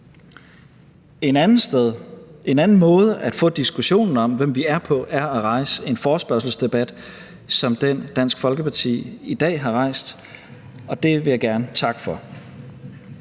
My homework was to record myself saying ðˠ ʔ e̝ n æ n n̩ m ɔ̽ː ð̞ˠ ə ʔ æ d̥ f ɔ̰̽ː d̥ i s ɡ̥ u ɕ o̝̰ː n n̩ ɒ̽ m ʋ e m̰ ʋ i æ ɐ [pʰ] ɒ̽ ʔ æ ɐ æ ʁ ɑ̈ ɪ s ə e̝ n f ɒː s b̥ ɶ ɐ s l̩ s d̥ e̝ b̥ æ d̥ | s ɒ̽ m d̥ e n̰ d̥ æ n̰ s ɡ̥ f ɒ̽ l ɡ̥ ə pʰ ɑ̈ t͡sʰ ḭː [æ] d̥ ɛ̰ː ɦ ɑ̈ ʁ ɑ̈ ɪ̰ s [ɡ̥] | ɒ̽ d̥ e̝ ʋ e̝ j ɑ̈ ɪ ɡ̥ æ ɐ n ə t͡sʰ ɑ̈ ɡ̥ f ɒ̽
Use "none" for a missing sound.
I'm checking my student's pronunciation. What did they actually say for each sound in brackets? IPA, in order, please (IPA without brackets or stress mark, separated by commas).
pʰ, i, d̥